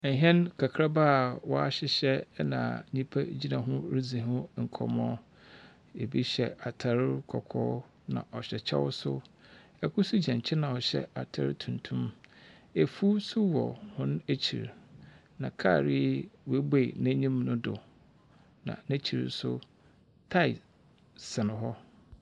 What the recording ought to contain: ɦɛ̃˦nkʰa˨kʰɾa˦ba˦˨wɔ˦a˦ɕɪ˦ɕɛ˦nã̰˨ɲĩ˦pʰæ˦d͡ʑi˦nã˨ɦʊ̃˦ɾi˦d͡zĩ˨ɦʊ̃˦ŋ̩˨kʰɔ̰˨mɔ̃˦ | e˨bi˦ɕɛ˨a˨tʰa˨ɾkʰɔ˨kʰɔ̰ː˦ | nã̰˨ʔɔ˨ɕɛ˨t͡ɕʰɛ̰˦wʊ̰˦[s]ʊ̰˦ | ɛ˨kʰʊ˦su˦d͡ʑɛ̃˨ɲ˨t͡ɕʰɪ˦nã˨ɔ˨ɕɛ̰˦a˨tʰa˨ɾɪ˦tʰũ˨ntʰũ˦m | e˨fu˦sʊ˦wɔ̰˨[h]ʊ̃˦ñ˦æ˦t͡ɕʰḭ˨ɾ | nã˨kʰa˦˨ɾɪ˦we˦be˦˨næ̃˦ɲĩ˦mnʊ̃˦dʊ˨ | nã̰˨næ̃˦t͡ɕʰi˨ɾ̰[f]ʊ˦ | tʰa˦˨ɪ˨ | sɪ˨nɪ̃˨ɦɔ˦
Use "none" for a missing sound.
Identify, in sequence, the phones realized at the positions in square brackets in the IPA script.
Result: s, h, s

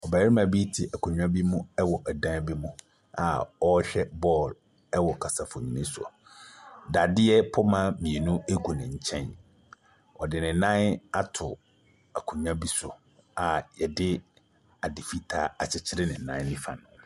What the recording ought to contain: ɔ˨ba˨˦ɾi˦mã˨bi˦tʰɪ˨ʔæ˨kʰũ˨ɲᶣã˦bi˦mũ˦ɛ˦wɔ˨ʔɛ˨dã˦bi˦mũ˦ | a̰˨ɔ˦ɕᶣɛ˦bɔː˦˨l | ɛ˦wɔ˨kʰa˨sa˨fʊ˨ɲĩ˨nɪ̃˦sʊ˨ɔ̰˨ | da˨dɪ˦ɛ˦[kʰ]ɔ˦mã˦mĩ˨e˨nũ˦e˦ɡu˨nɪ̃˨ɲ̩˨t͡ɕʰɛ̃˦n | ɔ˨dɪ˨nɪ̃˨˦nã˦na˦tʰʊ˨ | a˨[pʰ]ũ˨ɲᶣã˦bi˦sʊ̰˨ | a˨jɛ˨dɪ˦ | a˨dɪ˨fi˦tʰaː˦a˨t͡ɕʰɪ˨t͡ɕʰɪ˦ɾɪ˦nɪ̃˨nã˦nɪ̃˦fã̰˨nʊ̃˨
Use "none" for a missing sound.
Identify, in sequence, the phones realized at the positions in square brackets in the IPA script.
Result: pʰ, kʰ

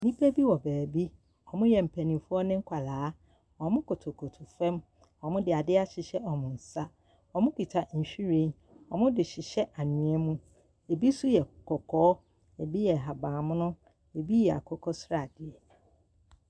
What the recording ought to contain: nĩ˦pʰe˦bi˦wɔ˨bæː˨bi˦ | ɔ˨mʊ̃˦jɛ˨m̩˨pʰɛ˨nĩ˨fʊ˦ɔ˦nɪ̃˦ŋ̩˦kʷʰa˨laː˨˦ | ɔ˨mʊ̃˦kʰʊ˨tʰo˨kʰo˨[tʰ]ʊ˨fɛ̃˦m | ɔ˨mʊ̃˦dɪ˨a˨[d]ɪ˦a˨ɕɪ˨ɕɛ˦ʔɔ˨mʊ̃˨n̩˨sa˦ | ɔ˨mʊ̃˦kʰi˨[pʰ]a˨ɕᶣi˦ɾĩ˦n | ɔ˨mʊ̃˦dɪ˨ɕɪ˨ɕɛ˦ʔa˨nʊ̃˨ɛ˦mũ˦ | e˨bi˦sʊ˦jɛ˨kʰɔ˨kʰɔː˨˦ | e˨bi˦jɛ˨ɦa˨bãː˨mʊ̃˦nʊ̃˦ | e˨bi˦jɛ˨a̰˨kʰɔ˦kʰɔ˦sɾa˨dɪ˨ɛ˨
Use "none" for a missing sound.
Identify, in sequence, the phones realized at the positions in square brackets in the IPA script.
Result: tʰ, d, tʰ

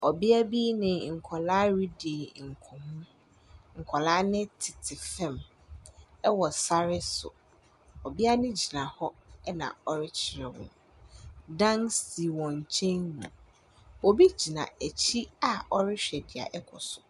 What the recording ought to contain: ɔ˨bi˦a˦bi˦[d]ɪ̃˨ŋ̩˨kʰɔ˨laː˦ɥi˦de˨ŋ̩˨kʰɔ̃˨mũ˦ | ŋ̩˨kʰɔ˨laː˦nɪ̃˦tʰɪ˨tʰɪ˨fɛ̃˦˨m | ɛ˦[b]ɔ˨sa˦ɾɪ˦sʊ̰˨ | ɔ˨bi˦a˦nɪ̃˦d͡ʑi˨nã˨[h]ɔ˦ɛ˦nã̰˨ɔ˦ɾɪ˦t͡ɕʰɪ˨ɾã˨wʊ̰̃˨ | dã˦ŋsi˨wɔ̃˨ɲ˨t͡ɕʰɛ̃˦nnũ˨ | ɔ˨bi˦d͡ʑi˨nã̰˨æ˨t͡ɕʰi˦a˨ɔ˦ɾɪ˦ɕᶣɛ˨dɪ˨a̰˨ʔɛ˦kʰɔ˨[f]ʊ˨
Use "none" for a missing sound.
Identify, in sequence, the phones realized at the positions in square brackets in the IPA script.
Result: n, w, h, s

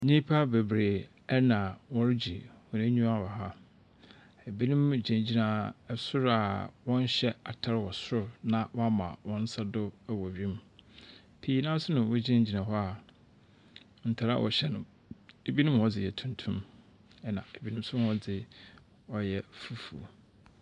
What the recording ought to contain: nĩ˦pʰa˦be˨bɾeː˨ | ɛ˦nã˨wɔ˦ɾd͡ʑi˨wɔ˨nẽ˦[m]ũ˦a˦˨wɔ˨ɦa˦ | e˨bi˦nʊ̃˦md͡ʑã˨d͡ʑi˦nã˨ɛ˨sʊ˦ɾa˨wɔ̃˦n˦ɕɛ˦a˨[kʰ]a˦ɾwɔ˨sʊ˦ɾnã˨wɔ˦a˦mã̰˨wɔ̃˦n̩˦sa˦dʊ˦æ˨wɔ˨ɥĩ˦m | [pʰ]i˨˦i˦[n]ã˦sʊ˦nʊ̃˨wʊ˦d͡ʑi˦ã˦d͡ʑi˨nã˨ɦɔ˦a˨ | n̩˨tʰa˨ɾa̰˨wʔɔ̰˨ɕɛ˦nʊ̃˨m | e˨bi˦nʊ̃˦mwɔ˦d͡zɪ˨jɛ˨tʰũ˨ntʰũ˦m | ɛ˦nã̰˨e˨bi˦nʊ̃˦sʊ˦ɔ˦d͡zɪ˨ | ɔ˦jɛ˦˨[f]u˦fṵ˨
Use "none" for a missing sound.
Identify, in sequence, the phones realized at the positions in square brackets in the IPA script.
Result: ɲ, tʰ, pʰ, n, f

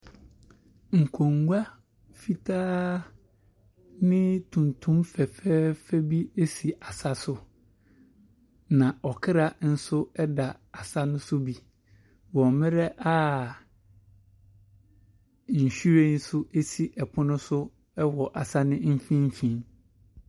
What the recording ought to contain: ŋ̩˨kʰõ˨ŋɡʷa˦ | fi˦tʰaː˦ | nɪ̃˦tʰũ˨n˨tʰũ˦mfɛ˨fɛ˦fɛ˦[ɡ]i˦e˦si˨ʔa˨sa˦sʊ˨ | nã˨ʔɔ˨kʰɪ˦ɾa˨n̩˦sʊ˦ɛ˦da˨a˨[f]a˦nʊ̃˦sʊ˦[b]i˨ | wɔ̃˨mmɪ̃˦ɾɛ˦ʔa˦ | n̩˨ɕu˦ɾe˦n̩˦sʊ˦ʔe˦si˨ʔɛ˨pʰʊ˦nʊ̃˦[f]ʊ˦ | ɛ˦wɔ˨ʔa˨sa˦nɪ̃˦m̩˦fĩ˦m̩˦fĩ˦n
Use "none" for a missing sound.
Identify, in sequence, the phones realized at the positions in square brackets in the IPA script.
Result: b, s, b, s

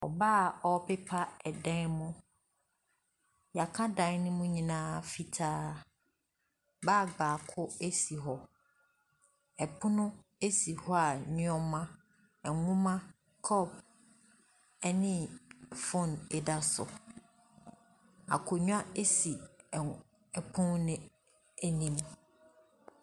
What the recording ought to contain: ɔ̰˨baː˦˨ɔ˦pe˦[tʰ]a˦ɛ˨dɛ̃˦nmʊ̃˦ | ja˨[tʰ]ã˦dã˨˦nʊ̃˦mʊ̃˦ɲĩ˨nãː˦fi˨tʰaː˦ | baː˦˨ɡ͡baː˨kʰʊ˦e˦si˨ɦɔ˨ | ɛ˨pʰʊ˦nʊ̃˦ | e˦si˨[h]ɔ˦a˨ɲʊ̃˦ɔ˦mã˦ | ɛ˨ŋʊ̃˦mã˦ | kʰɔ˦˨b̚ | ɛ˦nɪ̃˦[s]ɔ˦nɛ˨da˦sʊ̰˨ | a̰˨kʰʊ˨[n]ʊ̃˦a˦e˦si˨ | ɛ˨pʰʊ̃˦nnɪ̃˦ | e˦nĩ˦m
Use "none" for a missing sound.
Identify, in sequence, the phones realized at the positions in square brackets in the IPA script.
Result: pʰ, kʰ, h, f, ɲ

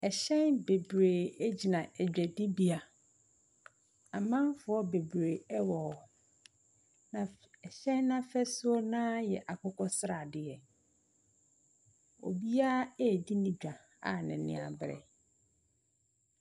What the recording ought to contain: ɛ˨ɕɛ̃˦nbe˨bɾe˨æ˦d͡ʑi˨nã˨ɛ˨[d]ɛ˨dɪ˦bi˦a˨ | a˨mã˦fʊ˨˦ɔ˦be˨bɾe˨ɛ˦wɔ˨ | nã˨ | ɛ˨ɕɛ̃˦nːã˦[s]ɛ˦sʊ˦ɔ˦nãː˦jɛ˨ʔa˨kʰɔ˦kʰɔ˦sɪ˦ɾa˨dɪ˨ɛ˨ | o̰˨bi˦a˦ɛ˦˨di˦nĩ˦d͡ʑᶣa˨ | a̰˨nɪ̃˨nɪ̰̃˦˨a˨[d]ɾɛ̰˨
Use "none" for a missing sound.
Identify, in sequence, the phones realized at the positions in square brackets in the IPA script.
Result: d͡ʑᶣ, f, b

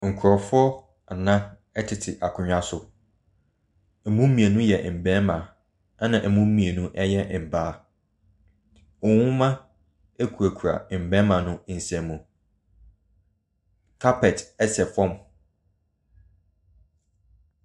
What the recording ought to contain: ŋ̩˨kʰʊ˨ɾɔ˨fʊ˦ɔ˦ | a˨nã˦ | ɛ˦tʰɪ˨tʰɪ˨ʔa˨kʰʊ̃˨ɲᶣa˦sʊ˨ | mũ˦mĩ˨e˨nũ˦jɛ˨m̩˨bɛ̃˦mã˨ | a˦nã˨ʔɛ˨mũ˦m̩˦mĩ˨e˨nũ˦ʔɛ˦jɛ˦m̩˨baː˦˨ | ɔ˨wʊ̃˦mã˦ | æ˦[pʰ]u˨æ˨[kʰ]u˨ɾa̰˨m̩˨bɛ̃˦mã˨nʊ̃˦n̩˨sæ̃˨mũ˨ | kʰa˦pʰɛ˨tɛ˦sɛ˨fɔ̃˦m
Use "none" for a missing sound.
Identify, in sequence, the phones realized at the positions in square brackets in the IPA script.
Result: kʰ, kʰ

